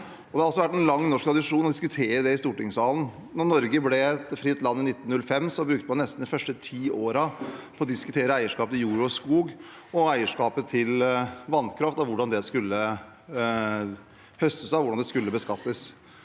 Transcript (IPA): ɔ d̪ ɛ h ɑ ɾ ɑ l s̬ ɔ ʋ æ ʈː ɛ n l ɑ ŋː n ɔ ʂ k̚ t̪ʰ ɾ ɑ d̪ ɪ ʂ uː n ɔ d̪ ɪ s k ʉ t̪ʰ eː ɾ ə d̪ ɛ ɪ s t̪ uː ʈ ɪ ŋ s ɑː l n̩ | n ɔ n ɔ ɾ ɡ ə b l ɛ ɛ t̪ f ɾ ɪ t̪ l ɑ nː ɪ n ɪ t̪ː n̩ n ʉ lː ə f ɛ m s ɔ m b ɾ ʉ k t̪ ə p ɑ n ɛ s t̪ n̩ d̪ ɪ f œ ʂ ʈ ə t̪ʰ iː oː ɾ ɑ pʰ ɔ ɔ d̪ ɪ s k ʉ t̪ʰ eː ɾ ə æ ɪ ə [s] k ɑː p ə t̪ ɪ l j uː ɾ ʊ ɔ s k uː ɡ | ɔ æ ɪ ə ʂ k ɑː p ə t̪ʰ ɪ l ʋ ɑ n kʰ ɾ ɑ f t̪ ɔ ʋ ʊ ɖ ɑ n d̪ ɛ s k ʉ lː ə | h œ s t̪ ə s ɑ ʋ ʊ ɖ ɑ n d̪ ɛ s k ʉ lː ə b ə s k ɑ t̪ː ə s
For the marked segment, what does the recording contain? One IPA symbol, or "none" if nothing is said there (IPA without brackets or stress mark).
ʂ